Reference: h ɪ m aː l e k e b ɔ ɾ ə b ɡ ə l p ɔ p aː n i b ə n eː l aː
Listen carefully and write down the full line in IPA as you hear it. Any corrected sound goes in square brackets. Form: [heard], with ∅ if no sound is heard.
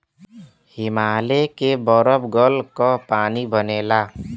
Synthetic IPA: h ɪ m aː l e k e b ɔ ɾ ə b ɡ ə l [k] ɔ p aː n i b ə n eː l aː